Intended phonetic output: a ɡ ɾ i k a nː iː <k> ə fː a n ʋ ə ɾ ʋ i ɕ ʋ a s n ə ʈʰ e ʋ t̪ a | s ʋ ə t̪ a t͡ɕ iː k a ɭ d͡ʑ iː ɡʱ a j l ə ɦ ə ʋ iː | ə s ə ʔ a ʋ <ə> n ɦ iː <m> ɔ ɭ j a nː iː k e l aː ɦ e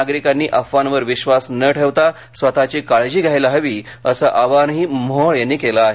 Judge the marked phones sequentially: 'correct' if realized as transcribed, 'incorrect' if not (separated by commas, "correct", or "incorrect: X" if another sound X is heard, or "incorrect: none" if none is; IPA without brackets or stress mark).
incorrect: ʔ, incorrect: a, correct